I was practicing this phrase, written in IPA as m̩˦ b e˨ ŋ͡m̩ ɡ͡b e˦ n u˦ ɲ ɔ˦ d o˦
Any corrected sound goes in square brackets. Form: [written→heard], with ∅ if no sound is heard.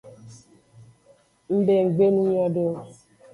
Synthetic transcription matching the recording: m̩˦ b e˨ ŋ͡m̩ ɡ͡b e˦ n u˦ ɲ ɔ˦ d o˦